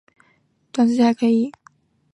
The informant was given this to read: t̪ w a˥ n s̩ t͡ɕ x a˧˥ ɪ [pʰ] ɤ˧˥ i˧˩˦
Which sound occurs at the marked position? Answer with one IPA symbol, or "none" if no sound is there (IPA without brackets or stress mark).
kʰ